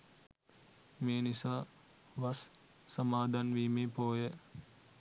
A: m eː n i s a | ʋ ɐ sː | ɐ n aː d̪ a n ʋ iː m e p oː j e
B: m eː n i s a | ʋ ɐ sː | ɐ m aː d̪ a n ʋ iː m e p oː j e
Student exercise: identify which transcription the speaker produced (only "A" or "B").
B